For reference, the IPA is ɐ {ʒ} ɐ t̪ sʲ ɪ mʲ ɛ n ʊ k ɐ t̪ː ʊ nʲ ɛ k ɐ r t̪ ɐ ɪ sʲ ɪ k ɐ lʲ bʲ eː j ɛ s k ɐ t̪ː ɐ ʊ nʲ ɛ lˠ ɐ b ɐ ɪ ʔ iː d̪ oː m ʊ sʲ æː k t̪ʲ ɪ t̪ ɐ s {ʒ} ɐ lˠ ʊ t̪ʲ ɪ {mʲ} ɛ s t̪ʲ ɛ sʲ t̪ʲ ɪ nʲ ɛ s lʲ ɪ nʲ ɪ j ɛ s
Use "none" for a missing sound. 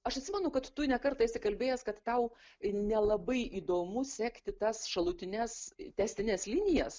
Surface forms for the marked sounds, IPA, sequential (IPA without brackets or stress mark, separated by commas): ʃ, ʃ, nʲ